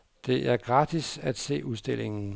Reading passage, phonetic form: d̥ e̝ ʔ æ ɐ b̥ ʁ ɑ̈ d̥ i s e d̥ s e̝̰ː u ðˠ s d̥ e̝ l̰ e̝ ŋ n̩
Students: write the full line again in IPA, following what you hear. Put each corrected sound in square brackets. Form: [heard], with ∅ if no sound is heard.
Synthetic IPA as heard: d̥ e̝ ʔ æ ɐ [ɡ̥] ʁ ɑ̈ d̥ i s [æ] d̥ s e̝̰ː u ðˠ s d̥ e̝ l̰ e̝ ŋ n̩